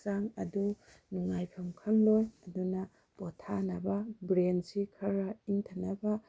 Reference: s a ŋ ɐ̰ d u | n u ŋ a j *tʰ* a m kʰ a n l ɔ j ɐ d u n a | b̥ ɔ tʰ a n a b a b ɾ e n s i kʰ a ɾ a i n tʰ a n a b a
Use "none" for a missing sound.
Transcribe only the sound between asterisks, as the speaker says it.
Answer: pʰ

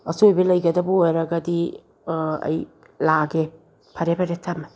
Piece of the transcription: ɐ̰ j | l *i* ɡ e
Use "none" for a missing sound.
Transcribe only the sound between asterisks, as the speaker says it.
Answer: a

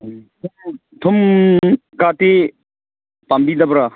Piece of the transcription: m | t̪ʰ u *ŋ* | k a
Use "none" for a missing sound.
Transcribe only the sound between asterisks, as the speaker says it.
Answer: m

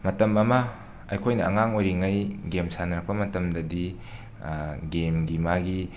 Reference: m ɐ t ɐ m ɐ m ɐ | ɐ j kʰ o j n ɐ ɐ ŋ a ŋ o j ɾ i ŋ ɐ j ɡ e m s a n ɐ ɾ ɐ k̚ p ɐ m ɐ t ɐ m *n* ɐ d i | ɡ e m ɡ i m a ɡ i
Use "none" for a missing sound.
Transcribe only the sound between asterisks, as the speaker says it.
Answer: d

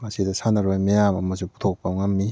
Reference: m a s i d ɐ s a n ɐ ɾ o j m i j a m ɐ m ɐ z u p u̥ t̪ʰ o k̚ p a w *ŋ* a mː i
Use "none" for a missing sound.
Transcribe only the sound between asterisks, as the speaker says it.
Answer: ŋ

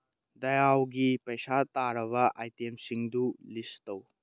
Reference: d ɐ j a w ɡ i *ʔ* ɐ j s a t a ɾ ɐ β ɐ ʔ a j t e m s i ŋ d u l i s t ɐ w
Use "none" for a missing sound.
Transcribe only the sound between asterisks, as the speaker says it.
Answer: p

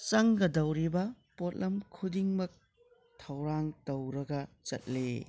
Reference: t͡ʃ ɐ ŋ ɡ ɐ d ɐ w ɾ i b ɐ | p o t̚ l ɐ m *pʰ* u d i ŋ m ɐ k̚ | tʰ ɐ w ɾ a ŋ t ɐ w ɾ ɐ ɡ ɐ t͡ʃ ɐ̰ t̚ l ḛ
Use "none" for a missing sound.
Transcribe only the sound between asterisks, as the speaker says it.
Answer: kʰ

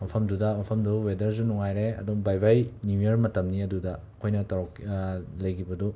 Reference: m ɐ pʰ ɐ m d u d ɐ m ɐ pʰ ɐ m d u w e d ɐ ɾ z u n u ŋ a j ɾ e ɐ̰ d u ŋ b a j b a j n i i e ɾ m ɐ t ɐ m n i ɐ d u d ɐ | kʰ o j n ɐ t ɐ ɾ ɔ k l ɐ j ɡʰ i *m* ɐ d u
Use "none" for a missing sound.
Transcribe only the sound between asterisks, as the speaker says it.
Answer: b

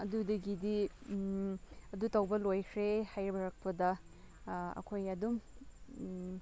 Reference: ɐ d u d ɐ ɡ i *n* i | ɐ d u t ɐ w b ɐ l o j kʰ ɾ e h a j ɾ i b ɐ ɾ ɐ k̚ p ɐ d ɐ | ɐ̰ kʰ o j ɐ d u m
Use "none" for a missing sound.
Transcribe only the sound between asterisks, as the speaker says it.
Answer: d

